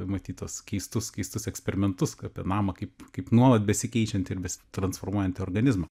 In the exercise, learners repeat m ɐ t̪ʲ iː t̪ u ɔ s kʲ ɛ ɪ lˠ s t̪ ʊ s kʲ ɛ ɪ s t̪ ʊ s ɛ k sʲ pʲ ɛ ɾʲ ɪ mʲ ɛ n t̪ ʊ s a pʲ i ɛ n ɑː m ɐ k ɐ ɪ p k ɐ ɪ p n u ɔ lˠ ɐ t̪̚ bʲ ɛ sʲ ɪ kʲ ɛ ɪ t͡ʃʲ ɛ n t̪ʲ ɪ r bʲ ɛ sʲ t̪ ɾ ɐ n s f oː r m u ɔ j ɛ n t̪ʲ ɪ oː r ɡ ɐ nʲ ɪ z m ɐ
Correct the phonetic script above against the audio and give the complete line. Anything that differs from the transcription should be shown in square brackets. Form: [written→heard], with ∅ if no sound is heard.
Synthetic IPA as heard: m ɐ t̪ʲ iː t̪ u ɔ s kʲ ɛ ɪ [lˠ→∅] s t̪ ʊ s kʲ ɛ ɪ s t̪ ʊ s ɛ k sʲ pʲ ɛ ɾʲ ɪ mʲ ɛ n t̪ ʊ s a pʲ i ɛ n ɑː m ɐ k ɐ ɪ p k ɐ ɪ p n u ɔ lˠ ɐ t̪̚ bʲ ɛ sʲ ɪ kʲ ɛ ɪ t͡ʃʲ ɛ n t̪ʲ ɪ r bʲ ɛ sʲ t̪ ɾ ɐ n s f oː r m u ɔ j ɛ n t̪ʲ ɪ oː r ɡ ɐ nʲ ɪ z m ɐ